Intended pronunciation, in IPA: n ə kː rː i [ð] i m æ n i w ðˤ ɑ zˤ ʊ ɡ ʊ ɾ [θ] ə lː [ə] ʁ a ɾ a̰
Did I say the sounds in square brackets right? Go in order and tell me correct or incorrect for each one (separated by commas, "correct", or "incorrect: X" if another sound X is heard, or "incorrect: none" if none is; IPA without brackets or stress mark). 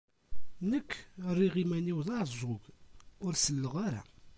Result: incorrect: ʁ, incorrect: s, correct